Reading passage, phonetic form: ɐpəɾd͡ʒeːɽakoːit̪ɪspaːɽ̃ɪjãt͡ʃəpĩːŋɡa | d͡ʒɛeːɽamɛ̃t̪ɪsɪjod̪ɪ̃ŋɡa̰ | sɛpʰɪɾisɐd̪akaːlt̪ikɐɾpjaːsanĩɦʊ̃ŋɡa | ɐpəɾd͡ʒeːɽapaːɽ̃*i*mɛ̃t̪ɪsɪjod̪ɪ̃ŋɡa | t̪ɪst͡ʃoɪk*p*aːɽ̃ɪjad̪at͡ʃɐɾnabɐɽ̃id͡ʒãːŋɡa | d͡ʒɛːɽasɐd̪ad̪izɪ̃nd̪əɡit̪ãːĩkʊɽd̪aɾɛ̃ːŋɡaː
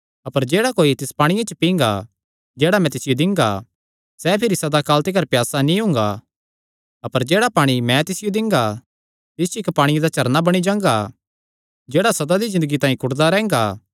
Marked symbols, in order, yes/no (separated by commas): yes, yes